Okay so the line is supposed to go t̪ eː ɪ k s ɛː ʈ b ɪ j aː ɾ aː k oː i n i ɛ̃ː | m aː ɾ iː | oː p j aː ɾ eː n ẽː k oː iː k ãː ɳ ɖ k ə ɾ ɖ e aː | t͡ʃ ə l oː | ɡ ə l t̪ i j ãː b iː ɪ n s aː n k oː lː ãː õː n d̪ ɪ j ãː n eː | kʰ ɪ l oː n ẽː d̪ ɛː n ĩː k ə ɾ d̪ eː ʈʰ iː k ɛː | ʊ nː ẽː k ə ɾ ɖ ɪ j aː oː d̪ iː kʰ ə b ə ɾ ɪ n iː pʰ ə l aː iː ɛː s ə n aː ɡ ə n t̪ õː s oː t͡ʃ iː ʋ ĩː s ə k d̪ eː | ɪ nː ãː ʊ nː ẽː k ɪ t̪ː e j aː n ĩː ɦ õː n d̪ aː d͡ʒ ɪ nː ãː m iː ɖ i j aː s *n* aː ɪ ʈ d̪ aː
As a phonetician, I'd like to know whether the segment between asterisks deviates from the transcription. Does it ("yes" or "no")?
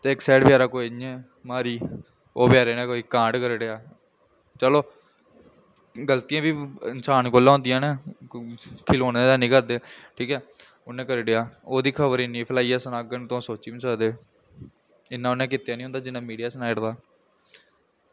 no